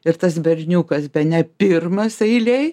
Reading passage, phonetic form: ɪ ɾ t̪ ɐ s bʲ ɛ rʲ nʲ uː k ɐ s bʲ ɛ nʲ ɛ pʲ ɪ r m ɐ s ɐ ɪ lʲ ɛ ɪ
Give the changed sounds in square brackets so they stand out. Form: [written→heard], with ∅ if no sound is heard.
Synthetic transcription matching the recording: ɪ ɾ t̪ ɐ s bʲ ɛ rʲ nʲ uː k ɐ s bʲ ɛ nʲ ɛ pʲ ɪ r m ɐ s ɐ ɪ lʲ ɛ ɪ